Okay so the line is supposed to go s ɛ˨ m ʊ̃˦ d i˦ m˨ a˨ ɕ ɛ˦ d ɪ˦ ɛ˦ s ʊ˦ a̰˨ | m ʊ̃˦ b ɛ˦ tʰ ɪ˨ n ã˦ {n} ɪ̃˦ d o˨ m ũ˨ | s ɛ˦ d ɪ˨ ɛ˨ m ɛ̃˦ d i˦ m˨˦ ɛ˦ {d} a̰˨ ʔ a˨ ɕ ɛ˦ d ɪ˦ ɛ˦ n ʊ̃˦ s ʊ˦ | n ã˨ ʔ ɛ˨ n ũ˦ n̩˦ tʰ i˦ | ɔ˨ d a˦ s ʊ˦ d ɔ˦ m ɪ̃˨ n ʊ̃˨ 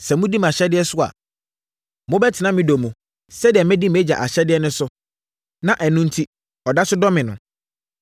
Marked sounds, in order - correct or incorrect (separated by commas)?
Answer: incorrect, incorrect